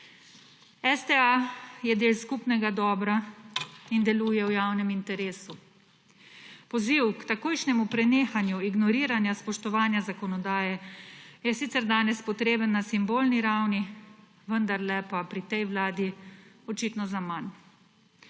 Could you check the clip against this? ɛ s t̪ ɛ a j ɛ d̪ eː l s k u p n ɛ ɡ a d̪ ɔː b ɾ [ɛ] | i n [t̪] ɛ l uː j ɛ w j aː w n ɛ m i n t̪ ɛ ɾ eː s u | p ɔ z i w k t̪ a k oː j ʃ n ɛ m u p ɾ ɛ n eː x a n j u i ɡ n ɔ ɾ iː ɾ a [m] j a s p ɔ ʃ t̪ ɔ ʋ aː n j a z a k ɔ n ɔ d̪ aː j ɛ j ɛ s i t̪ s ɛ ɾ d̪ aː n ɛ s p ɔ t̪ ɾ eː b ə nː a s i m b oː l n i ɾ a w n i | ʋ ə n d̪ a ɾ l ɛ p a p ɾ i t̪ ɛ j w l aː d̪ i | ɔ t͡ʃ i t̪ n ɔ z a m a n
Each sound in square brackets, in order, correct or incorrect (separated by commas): incorrect, incorrect, incorrect